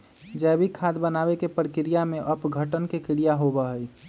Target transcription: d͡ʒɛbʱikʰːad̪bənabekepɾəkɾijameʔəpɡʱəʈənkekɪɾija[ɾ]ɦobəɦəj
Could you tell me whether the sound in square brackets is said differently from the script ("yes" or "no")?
yes